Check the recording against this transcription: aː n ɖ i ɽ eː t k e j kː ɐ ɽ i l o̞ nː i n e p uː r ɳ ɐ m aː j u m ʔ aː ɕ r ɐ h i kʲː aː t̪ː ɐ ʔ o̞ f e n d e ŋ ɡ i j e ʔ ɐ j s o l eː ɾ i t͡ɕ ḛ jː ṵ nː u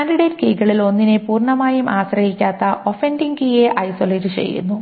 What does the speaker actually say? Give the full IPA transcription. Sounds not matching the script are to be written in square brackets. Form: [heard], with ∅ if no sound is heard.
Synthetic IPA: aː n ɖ i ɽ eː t k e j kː ɐ [ɭ] i l o̞ nː i n e p uː r ɳ ɐ m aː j u m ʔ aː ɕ r ɐ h i kʲː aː t̪ː ɐ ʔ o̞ f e n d [i] ŋ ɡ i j e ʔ ɐ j s o l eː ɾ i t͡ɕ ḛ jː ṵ nː u

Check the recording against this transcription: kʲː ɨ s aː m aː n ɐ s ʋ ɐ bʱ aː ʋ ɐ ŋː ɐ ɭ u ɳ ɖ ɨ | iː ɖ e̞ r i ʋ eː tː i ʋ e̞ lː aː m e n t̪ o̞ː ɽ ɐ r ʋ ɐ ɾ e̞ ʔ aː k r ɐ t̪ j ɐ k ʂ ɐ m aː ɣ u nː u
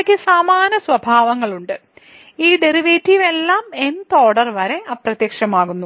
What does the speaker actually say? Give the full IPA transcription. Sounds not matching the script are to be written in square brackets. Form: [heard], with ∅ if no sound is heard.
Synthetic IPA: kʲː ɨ s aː m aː n ɐ s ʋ ɐ bʱ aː ʋ ɐ ŋː ɐ ɭ u ɳ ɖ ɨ | iː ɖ e̞ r i ʋ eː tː i ʋ e̞ lː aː m e n t̪ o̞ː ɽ ɐ r ʋ ɐ ɾ e̞ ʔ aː [p] r ɐ t̪ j ɐ k ʂ ɐ m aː ɣ u nː u

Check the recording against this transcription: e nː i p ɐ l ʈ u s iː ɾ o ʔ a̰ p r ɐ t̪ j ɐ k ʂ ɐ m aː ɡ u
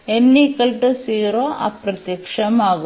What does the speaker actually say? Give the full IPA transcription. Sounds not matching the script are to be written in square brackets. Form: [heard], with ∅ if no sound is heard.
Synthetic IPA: e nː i [k] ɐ l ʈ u s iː ɾ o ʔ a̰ p [ɾ] ɐ t̪ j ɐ k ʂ ɐ m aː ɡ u

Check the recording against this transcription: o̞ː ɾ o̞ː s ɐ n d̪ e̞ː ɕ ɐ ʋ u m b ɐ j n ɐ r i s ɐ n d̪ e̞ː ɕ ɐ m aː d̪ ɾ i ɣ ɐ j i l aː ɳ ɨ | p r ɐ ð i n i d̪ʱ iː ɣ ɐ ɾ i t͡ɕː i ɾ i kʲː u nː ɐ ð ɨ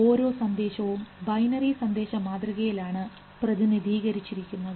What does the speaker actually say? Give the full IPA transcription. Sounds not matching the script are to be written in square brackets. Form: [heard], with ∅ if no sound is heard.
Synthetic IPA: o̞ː ɾ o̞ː s ɐ n d̪ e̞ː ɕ ɐ ʋ u m b ɐ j n ɐ r i s ɐ n d̪ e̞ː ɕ ɐ m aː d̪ [r] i ɣ ɐ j i l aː ɳ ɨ | p r ɐ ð i n i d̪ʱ iː ɣ ɐ ɾ i t͡ɕː i ɾ i kʲː u nː ɐ ð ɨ

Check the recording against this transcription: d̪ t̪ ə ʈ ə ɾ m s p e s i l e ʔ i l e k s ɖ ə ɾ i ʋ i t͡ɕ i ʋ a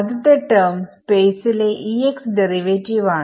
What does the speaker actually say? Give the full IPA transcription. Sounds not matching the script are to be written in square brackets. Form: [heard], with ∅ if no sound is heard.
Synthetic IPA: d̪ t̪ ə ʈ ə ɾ m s p e s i l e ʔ i [∅] e k s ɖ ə ɾ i ʋ [e] t͡ɕ i ʋ a

